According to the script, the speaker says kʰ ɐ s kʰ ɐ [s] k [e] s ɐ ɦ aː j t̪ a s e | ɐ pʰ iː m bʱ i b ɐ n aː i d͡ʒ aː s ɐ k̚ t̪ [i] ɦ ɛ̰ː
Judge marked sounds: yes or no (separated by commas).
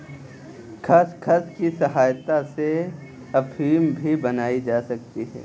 yes, no, yes